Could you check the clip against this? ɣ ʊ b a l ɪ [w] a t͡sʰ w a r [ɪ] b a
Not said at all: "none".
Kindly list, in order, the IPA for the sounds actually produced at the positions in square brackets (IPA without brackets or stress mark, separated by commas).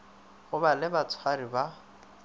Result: b, i